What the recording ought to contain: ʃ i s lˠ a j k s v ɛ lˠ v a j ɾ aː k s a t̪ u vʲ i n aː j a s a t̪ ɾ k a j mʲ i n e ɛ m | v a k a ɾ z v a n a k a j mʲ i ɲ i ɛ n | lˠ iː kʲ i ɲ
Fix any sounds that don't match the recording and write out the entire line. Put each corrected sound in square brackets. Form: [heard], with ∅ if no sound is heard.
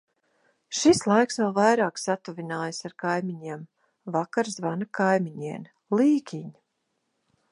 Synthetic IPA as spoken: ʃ i s lˠ a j k s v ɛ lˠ v a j ɾ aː k s a t̪ u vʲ i n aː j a s a [∅] ɾ k a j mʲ i [ɲ] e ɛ m | v a k a ɾ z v a n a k a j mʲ i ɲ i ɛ n | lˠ iː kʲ i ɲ